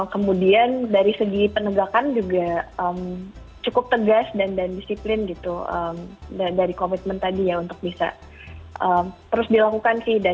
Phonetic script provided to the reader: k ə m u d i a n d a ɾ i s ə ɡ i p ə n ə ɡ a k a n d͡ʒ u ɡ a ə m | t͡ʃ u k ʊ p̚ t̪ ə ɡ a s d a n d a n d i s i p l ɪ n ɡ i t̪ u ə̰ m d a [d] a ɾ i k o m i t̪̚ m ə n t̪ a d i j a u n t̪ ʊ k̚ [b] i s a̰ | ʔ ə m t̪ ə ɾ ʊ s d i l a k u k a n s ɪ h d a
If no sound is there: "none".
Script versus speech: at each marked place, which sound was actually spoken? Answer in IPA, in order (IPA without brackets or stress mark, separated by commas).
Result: d, b